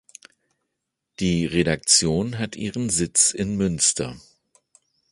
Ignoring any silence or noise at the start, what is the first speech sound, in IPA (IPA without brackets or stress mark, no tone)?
d̥